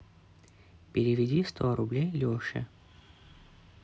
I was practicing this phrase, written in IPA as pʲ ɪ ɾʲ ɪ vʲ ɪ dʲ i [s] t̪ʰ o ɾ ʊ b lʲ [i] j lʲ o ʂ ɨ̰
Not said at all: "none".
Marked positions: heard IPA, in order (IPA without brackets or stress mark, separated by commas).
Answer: s, e